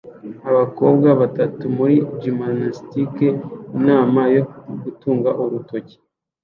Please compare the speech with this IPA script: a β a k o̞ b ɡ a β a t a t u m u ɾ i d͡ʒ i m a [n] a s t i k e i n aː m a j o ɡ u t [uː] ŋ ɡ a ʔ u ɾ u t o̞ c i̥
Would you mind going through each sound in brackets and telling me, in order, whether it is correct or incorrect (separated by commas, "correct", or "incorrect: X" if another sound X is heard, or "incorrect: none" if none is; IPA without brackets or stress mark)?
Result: correct, correct